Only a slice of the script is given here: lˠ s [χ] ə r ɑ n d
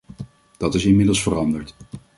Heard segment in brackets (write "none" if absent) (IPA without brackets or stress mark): f